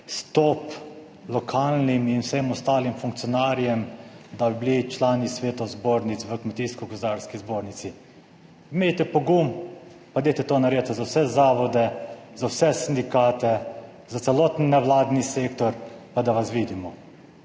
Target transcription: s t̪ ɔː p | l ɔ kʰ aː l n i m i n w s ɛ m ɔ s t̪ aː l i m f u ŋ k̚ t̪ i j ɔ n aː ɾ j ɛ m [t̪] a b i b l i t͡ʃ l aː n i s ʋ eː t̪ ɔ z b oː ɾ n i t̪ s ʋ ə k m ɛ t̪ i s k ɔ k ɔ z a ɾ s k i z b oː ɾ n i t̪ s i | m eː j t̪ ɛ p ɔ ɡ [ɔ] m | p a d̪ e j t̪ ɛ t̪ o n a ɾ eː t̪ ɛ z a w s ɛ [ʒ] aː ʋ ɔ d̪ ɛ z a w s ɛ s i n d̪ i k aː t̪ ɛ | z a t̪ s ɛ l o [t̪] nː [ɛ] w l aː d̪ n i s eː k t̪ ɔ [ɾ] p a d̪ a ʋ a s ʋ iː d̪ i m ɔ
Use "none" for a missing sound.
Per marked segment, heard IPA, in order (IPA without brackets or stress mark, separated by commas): d̪, u, z, t̪, ɛ, ɾ